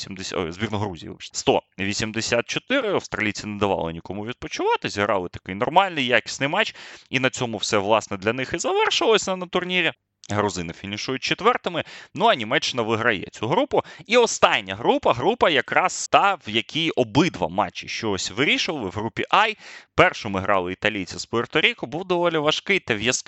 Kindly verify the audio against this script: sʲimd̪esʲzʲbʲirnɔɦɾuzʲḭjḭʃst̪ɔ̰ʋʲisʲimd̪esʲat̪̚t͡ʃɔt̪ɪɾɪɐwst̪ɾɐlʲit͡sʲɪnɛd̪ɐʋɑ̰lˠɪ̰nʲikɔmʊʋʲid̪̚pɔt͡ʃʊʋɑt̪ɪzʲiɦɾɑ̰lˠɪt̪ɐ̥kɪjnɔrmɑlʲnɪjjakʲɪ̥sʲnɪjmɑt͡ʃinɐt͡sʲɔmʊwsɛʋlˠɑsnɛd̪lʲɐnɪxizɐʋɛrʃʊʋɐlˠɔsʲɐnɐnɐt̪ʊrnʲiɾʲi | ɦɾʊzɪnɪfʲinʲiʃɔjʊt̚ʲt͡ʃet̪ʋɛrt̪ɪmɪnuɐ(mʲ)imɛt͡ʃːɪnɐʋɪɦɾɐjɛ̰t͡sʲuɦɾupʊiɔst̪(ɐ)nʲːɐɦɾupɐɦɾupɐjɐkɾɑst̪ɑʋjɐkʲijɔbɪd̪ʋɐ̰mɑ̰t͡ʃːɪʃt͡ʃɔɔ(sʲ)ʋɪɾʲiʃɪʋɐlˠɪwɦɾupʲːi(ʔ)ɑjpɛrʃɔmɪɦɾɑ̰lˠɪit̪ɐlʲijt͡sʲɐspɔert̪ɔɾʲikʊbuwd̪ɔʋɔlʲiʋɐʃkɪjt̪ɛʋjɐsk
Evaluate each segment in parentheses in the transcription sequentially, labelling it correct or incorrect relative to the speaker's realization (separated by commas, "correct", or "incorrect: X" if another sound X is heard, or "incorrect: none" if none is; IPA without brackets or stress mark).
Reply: incorrect: nʲ, incorrect: ɑ, correct, correct